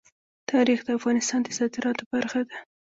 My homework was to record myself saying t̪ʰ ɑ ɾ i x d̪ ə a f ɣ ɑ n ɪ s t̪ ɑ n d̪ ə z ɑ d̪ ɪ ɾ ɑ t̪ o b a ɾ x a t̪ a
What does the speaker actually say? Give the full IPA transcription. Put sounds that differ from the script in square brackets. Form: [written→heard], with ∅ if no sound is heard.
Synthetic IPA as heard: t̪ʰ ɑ ɾ i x d̪ ə a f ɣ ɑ n ɪ s t̪ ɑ n d̪ ə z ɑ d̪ ɪ ɾ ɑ t̪ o b a ɾ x a [t̪→d̪] a